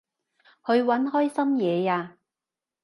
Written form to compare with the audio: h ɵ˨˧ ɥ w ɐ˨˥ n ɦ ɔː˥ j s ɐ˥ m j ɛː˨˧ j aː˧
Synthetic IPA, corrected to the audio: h ɵ˨˧ ɥ w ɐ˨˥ n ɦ ɔː˥ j s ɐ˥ m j ɛː˨˧ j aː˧